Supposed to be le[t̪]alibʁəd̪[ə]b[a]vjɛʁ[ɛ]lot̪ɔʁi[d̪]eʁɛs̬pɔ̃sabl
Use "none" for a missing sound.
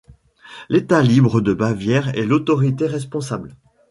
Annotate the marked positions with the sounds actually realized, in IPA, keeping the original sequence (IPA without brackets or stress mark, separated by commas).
t̪, ə, a, ɛ, t̪